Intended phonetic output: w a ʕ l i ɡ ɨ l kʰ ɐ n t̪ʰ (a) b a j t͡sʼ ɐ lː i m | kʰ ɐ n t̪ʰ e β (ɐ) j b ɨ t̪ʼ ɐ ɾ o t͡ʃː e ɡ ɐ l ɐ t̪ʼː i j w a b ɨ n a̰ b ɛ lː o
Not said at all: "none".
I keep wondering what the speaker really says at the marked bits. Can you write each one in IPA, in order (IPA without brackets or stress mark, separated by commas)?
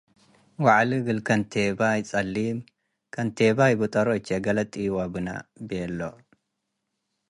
e, a